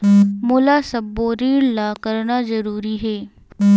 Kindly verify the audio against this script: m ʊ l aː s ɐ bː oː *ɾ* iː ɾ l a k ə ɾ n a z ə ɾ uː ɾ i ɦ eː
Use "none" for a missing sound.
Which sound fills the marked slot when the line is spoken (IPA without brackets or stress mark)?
ɾ